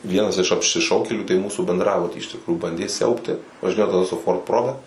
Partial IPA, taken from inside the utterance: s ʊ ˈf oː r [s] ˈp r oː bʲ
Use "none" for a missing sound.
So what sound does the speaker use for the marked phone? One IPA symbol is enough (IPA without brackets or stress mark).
t